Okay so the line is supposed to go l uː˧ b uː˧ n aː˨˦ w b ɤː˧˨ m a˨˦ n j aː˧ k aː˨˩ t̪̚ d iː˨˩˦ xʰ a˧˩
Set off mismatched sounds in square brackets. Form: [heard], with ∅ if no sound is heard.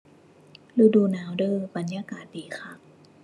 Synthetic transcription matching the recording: l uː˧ [d] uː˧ n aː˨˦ w [d] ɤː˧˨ [b] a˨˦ n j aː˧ k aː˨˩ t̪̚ d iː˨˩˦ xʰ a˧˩